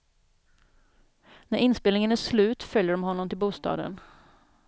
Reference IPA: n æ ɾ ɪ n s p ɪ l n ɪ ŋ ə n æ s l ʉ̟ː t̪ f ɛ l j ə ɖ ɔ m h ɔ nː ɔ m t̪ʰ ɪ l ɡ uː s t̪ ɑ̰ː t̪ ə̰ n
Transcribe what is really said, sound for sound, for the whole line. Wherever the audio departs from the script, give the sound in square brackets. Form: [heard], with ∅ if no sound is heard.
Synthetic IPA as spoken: n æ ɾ ɪ n s p ɪ l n ɪ ŋ ə n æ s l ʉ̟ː t̪ f [œ] l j ə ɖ ɔ m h ɔ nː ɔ m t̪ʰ ɪ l [b] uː s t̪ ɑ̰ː [d̪] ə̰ n